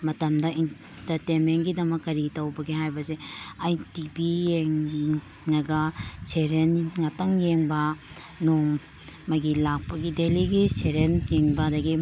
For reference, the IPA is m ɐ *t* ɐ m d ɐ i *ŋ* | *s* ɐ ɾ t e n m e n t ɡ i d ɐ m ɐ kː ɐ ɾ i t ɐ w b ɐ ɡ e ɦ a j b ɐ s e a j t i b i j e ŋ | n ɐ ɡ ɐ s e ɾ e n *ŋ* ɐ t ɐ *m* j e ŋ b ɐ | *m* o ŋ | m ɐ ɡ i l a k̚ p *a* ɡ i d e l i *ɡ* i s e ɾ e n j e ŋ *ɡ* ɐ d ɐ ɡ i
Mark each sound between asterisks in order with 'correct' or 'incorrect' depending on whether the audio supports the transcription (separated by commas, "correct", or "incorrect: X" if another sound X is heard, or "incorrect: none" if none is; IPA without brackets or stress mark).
correct, incorrect: n, incorrect: t, correct, incorrect: ŋ, incorrect: n, incorrect: ɐ, correct, incorrect: b